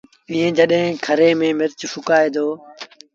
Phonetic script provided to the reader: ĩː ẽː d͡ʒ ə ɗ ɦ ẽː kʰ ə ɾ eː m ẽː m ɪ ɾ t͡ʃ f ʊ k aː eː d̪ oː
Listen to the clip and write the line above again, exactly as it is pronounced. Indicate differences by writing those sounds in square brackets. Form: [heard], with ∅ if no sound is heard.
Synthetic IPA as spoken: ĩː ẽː d͡ʒ ə ɗ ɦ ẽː kʰ ə ɾ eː m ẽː m ɪ ɾ t͡ʃ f ʊ k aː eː d̪ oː